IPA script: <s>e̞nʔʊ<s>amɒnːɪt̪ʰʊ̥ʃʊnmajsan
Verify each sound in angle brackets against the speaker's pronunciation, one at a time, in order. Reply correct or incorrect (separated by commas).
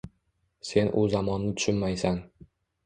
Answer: correct, incorrect